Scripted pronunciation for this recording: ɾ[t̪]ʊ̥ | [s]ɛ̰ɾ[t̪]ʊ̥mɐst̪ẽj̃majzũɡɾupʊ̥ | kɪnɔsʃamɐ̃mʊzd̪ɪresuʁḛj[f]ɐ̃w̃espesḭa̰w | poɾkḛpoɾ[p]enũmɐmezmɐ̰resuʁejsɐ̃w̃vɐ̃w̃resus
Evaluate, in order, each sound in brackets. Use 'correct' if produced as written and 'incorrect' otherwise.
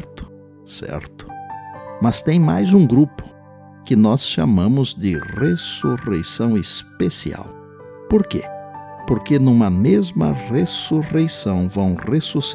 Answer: correct, correct, correct, incorrect: s, incorrect: k

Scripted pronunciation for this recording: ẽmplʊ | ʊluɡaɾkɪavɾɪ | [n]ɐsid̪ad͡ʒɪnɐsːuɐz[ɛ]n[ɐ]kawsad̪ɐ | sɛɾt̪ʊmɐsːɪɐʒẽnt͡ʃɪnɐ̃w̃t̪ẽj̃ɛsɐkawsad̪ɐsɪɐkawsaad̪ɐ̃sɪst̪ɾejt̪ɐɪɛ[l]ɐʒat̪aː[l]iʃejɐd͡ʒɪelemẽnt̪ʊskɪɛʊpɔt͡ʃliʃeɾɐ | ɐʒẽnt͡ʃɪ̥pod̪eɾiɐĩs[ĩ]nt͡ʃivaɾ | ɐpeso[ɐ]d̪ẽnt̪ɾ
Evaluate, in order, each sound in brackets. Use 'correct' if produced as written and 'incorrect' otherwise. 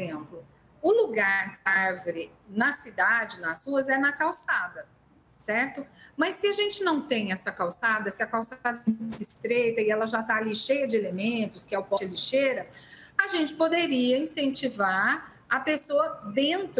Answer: correct, correct, correct, correct, correct, incorrect: ẽ, correct

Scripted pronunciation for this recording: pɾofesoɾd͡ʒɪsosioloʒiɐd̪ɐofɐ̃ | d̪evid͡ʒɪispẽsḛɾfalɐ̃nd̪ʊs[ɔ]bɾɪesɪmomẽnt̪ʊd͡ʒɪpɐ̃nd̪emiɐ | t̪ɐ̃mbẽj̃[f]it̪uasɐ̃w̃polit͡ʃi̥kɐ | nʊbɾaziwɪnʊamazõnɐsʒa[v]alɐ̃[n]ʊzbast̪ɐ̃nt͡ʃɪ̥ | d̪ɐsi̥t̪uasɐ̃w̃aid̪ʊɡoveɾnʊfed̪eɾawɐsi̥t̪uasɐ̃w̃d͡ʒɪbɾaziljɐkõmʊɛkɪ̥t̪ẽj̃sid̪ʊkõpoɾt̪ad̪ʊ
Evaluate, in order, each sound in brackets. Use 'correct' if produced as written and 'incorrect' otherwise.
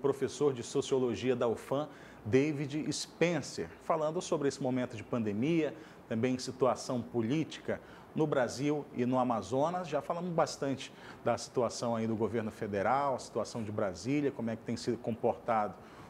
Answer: incorrect: o, incorrect: s, incorrect: f, incorrect: m

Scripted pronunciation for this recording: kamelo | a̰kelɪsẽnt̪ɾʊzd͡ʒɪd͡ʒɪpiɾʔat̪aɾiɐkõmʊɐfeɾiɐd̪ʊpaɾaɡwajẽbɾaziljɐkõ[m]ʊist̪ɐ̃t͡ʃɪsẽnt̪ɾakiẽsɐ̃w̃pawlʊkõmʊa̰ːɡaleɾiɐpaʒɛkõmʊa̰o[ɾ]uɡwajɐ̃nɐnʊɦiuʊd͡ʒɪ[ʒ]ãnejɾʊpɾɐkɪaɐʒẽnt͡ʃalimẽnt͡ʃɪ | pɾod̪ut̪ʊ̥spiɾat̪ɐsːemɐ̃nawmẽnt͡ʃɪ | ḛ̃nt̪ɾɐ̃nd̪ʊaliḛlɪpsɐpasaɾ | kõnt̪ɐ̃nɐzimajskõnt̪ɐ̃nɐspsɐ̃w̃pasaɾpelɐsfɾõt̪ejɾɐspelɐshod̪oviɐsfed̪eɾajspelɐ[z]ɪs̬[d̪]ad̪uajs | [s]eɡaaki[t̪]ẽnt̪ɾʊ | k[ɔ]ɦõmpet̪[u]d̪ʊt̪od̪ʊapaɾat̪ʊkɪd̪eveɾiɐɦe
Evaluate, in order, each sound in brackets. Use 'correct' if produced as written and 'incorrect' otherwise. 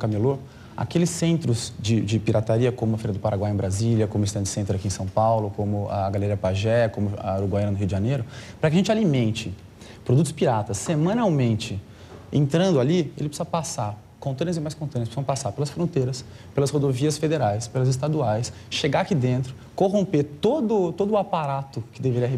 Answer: correct, correct, correct, correct, incorrect: t̪, incorrect: ʃ, incorrect: d̪, incorrect: o, incorrect: o

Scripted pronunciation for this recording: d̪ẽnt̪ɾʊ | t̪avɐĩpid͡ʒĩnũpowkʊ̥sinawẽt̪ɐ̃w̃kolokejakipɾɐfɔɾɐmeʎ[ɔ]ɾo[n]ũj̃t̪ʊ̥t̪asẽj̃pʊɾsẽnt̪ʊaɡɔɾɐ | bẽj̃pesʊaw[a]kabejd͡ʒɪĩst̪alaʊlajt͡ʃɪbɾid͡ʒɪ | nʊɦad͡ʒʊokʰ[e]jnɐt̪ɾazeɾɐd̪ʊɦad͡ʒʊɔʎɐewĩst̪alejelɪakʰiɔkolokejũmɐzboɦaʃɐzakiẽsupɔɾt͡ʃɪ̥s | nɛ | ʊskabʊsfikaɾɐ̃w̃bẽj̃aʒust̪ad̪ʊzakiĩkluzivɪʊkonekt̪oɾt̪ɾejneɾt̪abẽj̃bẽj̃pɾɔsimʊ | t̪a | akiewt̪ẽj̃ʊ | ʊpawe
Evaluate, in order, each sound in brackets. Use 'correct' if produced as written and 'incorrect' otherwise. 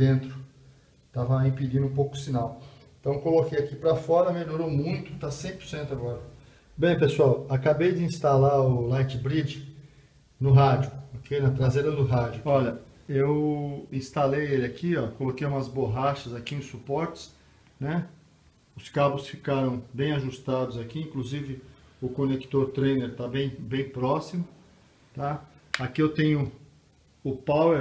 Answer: incorrect: o, incorrect: m, correct, correct

